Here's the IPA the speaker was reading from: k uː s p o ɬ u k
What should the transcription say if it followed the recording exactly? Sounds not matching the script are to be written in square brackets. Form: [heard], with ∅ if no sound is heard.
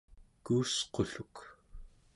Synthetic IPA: k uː s [q] o ɬ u k